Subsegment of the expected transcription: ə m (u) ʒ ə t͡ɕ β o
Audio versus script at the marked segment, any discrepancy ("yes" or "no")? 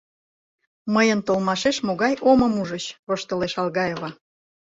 no